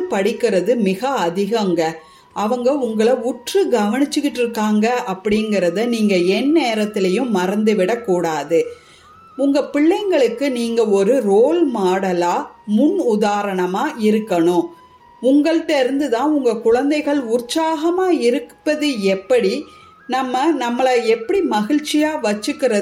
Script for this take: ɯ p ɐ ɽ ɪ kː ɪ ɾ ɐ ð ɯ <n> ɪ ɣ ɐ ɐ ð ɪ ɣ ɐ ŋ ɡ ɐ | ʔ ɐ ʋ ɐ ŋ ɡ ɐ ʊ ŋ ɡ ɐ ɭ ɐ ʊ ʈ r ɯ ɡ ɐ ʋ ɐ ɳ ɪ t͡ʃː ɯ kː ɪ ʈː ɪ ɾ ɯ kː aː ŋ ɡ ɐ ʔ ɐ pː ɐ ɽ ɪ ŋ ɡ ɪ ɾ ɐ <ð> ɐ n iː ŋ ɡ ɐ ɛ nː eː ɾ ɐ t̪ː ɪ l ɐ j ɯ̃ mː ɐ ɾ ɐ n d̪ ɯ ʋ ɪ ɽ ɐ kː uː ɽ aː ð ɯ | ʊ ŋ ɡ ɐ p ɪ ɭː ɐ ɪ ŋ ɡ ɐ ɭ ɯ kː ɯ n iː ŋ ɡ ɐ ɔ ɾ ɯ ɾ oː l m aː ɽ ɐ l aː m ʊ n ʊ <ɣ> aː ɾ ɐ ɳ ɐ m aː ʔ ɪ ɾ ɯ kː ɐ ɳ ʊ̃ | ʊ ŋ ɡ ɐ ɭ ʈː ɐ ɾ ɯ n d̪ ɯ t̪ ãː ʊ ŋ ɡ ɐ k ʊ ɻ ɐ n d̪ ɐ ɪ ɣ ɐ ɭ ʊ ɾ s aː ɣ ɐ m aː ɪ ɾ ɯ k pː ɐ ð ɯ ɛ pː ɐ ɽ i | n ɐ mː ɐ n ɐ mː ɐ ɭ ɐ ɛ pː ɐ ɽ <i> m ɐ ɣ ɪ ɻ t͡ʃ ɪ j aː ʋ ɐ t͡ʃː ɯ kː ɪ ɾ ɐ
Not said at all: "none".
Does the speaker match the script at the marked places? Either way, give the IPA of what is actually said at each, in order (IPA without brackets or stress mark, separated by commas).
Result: m, ð, ð, i